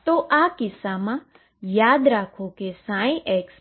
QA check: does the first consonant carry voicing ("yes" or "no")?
no